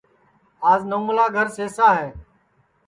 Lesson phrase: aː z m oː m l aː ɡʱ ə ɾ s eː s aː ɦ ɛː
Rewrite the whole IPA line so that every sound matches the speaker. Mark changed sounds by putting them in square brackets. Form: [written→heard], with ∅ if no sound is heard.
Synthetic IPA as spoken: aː z [m→n] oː m l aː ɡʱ ə ɾ s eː s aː ɦ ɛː